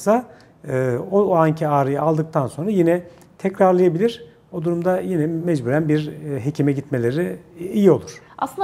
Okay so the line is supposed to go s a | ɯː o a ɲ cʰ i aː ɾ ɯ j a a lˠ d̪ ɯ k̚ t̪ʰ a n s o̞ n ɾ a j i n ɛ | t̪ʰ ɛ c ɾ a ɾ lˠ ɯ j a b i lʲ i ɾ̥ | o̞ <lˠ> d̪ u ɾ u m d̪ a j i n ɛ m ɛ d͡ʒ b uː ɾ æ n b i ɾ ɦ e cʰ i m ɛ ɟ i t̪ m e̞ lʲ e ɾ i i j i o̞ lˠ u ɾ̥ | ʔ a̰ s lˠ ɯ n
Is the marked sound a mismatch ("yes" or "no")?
yes